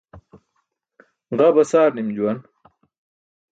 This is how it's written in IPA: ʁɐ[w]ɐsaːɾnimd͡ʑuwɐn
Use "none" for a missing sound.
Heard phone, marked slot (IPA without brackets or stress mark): b